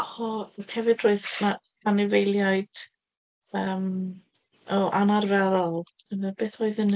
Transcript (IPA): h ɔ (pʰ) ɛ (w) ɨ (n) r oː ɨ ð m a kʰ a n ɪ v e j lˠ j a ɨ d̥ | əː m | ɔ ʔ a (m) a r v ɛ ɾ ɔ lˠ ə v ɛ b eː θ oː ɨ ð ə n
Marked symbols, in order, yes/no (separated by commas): no, no, no, no